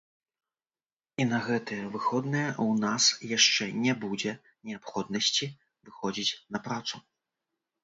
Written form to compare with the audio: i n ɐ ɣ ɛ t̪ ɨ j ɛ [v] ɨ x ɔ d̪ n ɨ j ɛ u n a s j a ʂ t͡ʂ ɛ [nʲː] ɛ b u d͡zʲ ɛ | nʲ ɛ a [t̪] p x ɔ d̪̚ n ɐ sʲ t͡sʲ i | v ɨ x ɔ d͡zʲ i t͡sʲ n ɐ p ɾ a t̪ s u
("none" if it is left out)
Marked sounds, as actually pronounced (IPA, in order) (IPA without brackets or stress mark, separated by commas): v, nʲ, none